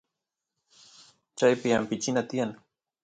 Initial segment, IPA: t͡ʃ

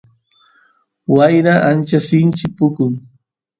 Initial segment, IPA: w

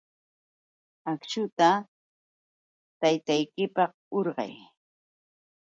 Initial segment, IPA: a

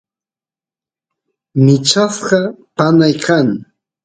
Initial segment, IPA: m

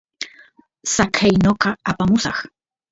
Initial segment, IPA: s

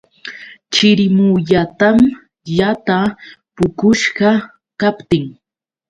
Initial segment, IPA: t͡ʃ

